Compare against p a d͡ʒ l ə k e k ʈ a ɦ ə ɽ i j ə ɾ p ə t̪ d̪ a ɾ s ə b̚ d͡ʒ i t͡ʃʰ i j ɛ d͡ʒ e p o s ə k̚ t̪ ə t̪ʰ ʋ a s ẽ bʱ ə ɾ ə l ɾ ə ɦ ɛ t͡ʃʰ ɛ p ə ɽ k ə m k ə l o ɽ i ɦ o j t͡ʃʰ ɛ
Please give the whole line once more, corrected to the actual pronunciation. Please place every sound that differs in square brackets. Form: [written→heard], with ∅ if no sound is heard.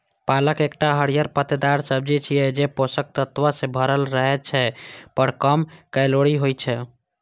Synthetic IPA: p a [d͡ʒ→∅] l ə k e k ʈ a ɦ ə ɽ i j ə ɾ p ə t̪ d̪ a ɾ s ə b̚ d͡ʒ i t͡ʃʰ i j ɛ d͡ʒ e p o s ə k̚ t̪ ə [t̪ʰ→t̪] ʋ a s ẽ bʱ ə ɾ ə l ɾ ə ɦ ɛ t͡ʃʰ ɛ p ə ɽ k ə m k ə l o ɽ i ɦ o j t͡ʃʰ ɛ